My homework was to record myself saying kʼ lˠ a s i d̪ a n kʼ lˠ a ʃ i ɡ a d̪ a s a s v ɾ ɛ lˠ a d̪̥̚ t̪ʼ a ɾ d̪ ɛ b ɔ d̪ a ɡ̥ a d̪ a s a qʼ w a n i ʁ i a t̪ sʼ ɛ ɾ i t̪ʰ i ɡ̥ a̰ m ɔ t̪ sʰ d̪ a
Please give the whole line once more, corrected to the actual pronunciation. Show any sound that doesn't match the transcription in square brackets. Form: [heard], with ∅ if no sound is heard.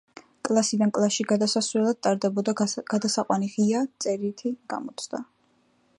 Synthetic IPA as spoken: kʼ lˠ a s i d̪ a n kʼ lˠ a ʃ i ɡ a d̪ a s a s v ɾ ɛ lˠ a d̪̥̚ t̪ʼ a ɾ d̪ ɛ b ɔ d̪ a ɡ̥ a d̪ a s a qʼ w a n i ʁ i a t̪ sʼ ɛ ɾ i t̪ʰ i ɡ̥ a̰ m ɔ t̪ sʰ d̪ a